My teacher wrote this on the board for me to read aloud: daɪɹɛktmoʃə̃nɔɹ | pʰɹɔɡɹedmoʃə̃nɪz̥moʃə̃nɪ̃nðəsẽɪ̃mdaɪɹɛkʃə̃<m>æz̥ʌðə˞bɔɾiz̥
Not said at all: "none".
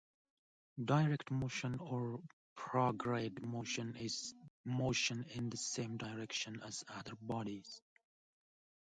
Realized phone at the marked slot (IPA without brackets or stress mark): n